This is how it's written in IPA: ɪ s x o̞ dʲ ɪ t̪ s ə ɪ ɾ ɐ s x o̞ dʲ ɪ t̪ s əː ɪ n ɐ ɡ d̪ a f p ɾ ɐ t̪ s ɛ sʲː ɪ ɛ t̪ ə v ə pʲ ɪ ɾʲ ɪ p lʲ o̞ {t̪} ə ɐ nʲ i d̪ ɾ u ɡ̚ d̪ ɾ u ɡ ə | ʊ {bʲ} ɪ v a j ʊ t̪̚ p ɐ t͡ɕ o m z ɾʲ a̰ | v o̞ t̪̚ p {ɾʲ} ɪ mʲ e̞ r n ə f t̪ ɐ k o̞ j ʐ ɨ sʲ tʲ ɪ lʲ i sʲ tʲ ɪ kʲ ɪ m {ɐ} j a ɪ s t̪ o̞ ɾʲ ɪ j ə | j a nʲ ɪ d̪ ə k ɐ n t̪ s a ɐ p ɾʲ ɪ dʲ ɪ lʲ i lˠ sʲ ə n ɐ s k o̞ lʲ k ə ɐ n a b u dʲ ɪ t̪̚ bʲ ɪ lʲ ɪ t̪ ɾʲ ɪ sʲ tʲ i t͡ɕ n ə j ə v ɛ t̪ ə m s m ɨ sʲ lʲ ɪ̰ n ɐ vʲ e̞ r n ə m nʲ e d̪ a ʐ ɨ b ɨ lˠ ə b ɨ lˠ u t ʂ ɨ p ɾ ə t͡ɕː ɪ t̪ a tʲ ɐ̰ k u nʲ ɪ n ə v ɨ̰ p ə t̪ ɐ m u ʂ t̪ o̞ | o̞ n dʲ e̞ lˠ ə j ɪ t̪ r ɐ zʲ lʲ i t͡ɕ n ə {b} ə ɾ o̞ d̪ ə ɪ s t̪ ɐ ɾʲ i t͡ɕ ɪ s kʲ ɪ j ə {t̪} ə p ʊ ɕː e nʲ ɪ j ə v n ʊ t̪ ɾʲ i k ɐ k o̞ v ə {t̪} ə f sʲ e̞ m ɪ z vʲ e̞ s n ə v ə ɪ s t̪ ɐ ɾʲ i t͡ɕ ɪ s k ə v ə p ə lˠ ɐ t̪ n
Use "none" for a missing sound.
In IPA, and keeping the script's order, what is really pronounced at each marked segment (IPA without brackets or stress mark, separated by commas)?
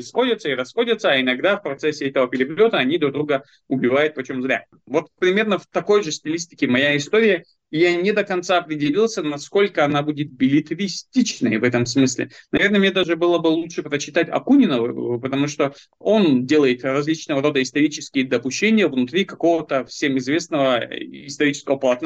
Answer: t̪, bʲ, ɾʲ, ɐ, v, d̪, t̪